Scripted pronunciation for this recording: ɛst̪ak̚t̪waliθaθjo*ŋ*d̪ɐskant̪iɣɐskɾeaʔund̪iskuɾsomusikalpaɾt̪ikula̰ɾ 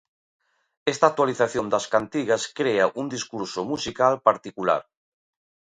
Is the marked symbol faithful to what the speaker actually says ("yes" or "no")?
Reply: no